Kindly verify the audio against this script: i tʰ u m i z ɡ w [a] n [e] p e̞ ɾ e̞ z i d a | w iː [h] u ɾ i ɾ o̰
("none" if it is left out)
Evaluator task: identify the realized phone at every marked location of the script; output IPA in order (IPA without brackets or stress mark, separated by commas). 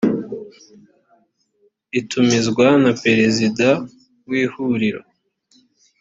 a, a, h